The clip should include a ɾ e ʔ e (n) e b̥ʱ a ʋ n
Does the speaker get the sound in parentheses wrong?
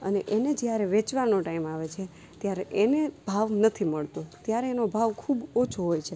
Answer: no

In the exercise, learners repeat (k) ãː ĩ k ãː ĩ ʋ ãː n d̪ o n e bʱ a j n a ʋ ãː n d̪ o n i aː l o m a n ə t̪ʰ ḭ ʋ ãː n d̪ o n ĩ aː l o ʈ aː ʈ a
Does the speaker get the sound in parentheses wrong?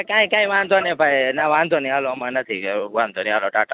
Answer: no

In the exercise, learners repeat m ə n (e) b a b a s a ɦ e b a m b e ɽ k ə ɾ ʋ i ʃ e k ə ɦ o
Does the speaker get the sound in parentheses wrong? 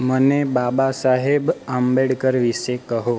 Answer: no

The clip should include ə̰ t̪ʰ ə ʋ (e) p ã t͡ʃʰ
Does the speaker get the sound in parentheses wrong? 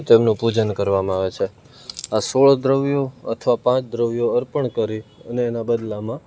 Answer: yes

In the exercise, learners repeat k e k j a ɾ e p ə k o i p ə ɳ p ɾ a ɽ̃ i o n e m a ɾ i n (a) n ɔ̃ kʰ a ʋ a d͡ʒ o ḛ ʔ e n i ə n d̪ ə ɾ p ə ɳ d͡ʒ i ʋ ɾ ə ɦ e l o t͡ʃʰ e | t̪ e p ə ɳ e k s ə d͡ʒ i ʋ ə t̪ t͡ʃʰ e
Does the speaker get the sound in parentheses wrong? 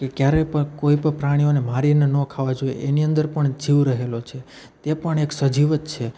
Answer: yes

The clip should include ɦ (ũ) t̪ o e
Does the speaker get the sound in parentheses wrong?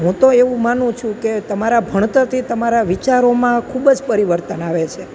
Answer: no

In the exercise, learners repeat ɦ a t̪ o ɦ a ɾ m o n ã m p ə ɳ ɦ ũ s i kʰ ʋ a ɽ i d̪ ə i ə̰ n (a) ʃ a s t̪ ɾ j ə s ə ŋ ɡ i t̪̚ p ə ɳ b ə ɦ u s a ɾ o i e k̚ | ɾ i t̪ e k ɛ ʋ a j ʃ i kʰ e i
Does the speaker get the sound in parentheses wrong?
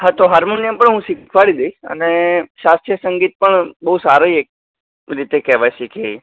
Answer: yes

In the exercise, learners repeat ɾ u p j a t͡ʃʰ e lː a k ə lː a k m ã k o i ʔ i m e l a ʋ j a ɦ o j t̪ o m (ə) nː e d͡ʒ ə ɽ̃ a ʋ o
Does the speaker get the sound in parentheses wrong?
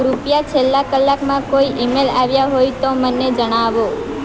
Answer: no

